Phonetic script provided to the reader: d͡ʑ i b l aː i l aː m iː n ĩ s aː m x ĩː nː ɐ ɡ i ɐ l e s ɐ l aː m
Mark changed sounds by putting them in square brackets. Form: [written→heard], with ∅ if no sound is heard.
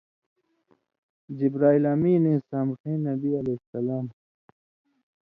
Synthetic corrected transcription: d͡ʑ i b [l→ɾ] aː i l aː m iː n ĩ s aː m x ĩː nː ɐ [ɡ→b] i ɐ l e s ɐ l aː m